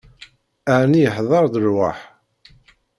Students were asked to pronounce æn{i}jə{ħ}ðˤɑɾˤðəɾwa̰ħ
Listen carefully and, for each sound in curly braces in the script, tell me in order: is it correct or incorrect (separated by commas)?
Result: correct, correct